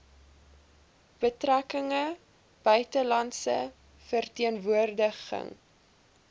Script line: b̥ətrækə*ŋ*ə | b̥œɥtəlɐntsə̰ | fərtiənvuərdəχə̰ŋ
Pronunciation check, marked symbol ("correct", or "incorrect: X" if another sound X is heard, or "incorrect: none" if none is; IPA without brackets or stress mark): correct